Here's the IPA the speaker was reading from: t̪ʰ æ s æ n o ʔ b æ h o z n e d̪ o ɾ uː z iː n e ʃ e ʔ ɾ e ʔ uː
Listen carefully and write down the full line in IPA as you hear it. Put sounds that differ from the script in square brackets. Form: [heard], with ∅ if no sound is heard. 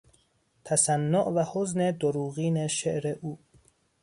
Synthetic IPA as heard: t̪ʰ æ s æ [nː] o ʔ [v] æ h o z n e d̪ o ɾ uː [ɣ] iː n e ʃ e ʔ ɾ e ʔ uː